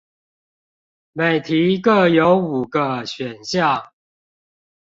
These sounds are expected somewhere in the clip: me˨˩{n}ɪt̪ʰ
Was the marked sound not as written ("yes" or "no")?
yes